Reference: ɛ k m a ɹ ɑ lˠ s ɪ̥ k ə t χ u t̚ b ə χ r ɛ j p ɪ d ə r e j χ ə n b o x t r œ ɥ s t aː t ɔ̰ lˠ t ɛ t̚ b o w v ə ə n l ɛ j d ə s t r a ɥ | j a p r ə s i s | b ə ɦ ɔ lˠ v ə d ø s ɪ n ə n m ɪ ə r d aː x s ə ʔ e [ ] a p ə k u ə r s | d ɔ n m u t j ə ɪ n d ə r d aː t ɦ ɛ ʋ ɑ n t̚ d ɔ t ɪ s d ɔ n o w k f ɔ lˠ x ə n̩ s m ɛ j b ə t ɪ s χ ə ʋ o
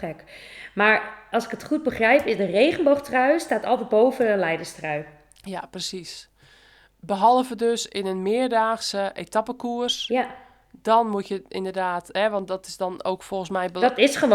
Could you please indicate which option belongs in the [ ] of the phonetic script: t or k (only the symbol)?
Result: t